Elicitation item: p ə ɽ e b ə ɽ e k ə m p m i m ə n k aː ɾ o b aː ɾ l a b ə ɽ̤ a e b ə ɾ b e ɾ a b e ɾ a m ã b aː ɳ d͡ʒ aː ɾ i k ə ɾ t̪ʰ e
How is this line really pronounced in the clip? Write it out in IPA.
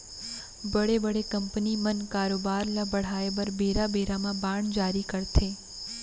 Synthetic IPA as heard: b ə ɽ e b ə ɽ e k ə m p n i m ə n k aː ɾ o b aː ɾ l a b ə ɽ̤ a e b ə ɾ b e ɾ a b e ɾ a m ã b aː ɳ d͡ʒ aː ɾ i k ə ɾ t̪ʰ e